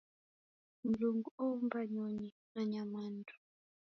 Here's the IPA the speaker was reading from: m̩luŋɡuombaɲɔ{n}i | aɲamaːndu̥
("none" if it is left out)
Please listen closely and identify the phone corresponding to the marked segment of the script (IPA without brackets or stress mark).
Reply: ɲ